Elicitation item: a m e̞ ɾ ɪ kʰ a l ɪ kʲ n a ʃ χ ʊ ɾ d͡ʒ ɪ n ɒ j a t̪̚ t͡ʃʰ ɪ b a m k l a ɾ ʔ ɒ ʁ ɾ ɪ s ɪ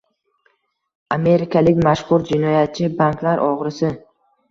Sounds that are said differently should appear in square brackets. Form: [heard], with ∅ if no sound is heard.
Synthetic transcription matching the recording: a m e̞ ɾ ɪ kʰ a l ɪ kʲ [m] a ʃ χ ʊ ɾ d͡ʒ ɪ n ɒ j a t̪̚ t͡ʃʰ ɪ b a [n] k l a ɾ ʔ ɒ ʁ ɾ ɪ s ɪ